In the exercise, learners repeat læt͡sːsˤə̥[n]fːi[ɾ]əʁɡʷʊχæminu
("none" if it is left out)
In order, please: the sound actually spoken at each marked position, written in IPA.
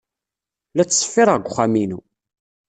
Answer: none, ɾ

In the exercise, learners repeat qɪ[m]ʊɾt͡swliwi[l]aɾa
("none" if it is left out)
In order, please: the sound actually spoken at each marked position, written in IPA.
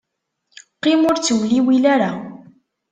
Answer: m, l

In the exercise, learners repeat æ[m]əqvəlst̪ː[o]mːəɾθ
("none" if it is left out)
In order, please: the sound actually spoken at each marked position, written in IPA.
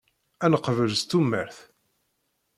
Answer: n, u

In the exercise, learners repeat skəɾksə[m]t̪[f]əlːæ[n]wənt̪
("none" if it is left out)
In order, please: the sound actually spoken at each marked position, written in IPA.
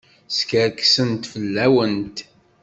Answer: n, f, none

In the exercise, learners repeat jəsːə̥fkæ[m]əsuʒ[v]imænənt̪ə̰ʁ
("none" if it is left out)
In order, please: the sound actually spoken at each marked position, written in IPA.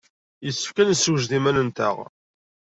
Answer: n, ð

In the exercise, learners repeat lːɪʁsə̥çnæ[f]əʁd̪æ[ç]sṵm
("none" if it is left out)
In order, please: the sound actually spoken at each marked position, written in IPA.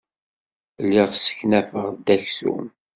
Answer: f, ç

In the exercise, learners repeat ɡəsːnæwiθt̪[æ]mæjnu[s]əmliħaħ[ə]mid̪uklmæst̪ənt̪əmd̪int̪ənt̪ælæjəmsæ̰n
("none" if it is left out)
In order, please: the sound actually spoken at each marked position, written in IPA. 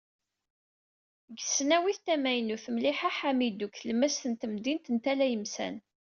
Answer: æ, θ, a

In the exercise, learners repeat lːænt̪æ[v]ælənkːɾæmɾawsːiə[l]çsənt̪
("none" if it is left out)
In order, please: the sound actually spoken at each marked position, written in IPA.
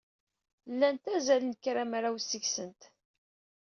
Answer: z, none

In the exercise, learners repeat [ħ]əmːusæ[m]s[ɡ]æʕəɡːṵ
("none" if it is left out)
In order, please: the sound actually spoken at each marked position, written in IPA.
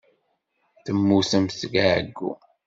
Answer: θ, m, ɡ

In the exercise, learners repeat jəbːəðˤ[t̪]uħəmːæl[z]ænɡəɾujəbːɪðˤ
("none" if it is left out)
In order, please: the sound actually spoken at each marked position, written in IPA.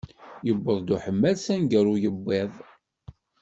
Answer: d̪, s

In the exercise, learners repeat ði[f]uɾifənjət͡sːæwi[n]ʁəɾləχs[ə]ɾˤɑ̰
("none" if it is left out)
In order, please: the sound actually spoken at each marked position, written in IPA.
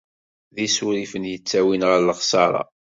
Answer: s, n, ɑ

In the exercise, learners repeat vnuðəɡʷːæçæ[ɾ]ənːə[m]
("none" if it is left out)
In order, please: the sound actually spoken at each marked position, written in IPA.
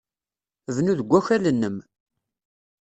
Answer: l, m

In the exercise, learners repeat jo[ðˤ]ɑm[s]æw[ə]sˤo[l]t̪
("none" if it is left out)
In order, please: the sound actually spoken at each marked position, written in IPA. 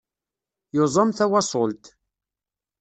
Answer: zˤ, θ, ɑ, l

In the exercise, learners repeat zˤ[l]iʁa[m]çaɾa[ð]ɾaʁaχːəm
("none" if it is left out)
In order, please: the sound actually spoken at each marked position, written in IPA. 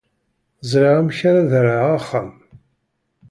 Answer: ɾ, m, ð

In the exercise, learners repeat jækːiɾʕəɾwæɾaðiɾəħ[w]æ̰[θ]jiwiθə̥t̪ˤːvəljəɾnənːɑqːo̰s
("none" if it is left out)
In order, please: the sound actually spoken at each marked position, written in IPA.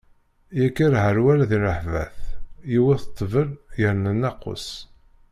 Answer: v, θ

